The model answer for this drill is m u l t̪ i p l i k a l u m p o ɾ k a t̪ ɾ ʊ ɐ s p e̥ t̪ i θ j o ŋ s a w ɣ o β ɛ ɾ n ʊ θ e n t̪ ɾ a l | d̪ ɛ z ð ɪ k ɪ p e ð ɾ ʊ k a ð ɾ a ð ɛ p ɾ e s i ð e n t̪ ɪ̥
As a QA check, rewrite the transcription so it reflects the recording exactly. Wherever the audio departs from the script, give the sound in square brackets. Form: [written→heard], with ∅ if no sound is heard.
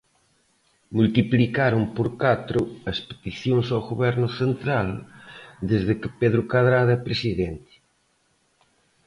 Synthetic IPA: m u l t̪ i p l i k a [l→ɾ] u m p o ɾ k a t̪ ɾ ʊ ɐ s p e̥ t̪ i θ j o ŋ s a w ɣ o β ɛ ɾ n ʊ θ e n t̪ ɾ a l | d̪ [ɛ→e] z ð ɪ k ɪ p e ð ɾ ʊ k a ð ɾ a ð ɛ p ɾ e s i ð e n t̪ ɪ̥